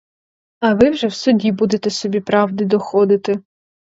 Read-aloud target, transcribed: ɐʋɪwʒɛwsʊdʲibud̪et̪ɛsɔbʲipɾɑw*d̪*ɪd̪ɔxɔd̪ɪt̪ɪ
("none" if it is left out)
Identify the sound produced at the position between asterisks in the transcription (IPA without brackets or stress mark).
d̪